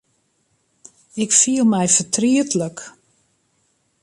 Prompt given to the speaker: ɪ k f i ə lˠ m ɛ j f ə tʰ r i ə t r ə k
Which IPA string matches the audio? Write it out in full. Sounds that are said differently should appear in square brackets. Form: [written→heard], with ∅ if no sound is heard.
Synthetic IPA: ɪ k f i ə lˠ m ɛ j f ə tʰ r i ə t [r→l] ə k

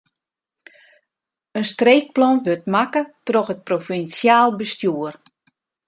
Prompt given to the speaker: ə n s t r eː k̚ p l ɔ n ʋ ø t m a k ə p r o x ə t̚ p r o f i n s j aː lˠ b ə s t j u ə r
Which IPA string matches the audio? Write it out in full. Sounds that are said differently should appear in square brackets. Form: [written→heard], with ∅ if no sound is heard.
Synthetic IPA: ə n s t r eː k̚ p l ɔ n ʋ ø t m a k ə [p→t] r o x ə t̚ p r o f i n s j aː lˠ b ə s t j u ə r

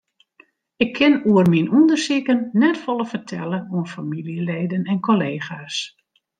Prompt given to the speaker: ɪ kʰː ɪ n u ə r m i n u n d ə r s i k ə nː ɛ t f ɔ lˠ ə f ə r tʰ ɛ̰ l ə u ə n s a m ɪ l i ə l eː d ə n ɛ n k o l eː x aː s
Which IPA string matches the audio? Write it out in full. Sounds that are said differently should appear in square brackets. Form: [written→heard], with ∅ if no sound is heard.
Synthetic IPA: ɪ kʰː ɪ n u ə r m i n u n d ə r s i k ə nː ɛ t f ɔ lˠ ə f ə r tʰ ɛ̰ l ə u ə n [s→f] a m [ɪ→i] l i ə l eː d ə n ɛ n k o l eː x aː s

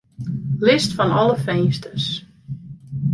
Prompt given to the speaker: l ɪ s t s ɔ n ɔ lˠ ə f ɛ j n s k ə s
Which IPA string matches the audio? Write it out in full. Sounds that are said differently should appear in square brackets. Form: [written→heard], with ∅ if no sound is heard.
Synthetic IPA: l ɪ s t [s→f] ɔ n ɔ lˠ ə f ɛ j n s [k→t] ə s

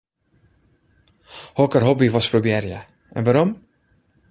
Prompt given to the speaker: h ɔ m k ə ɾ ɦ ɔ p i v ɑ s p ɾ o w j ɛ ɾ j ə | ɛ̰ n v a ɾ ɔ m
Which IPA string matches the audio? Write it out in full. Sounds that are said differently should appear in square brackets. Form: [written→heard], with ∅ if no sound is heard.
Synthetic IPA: h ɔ [m→∅] k ə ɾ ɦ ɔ [p→b] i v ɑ s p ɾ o [w→b] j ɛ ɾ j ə | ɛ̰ n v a ɾ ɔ m

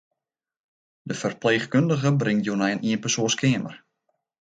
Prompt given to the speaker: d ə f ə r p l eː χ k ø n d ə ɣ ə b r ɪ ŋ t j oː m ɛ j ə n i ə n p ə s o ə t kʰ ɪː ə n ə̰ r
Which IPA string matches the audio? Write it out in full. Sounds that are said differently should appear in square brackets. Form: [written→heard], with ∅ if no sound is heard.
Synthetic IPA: d ə f ə r p l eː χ k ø n d ə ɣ ə b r ɪ ŋ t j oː [m→n] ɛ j ə n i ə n p ə s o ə [t→s] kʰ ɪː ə [n→m] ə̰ r

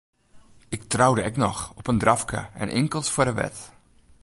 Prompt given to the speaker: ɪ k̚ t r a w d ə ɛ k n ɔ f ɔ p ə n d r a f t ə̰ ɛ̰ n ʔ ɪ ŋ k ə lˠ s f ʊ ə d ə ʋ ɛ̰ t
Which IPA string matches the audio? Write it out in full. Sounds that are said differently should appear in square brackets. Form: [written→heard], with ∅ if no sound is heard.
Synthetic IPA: ɪ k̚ t r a w d ə ɛ k n ɔ [f→x] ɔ p ə n d r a f [t→k] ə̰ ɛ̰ n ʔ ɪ ŋ k ə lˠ s f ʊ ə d ə ʋ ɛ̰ t

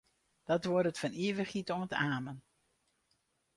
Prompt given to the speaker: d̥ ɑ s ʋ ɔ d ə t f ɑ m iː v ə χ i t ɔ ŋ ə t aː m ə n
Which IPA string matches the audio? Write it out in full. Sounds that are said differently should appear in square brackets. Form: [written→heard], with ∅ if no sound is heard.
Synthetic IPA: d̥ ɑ [s→t] ʋ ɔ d ə t f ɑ [m→n] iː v ə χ i t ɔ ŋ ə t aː m ə n

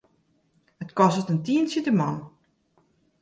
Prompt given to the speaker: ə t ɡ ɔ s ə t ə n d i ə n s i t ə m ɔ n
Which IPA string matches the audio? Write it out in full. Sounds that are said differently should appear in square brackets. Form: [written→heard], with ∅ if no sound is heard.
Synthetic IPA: ə t [ɡ→k] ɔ s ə t ə n [d→t] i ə n s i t ə m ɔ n

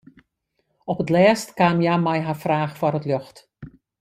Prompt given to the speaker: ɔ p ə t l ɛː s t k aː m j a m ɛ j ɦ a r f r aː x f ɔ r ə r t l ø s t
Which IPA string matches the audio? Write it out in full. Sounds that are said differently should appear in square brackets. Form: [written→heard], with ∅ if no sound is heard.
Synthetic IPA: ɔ p ə t l ɛː s t k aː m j a m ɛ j ɦ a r f r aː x f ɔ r ə [r→∅] t l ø [s→x] t

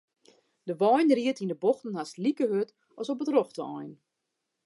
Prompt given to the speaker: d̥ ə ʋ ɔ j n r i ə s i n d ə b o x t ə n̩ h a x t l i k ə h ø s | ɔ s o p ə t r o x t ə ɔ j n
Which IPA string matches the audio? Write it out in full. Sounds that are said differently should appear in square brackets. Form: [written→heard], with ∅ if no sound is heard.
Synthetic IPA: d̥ ə ʋ ɔ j n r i ə [s→t] i n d ə b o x t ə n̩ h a [x→s] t l i k ə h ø [s→t] | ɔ s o p ə t r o x t ə ɔ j n

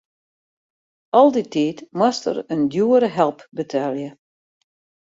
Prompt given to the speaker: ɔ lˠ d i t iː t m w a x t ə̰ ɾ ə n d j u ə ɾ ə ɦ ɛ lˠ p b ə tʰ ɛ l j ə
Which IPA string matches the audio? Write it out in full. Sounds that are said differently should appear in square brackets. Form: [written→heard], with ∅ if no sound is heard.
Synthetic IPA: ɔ lˠ d i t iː t m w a [x→s] t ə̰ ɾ ə n d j u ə ɾ ə ɦ ɛ lˠ p b ə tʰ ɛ l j ə

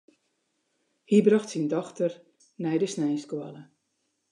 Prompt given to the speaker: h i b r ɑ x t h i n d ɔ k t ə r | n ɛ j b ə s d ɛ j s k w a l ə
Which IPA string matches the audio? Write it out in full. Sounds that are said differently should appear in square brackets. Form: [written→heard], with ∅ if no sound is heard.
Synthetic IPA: h i b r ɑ x t [h→s] i n d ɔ [k→x] t ə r | n ɛ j [b→d] ə s [d→n] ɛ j s k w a l ə

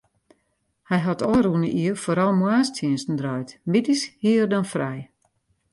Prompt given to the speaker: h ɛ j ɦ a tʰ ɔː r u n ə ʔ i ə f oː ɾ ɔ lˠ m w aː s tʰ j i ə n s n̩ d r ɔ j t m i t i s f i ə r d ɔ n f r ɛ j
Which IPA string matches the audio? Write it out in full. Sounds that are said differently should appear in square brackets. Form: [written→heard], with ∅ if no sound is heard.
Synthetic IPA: h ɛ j ɦ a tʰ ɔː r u n ə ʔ i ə f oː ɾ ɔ lˠ m w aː s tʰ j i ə n s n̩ d r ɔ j t m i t i s [f→h] i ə r d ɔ n f r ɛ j

